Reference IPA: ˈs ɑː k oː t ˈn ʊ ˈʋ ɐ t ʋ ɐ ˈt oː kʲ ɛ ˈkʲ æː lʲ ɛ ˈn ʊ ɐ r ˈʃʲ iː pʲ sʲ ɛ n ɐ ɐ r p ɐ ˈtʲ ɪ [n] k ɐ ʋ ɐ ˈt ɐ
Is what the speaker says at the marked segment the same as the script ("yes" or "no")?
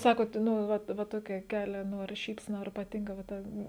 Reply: no